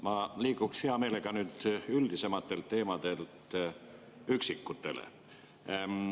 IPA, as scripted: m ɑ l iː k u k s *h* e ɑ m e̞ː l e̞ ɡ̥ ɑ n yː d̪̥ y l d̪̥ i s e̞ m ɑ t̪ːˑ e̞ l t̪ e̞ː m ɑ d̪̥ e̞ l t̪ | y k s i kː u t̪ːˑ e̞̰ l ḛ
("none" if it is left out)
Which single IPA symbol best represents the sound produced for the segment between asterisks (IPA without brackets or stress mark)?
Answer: h